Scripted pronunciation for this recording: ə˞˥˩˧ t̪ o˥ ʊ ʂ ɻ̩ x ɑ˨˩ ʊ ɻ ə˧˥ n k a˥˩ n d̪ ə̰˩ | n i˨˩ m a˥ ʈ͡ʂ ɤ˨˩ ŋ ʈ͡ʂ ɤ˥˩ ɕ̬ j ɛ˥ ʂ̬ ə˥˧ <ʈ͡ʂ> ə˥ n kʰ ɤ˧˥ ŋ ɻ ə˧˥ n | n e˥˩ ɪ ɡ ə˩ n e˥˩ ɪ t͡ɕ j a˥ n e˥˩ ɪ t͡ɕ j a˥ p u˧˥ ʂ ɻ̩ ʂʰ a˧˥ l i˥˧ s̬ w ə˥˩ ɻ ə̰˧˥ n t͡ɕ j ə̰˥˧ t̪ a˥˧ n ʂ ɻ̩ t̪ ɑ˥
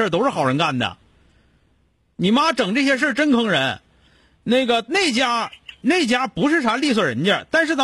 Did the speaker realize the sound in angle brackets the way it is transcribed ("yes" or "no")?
yes